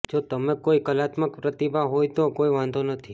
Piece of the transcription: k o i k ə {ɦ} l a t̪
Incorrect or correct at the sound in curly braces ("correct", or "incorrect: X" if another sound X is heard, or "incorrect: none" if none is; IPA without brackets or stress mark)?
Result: incorrect: none